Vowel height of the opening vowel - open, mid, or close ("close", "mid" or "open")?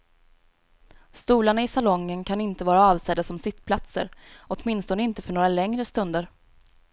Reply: close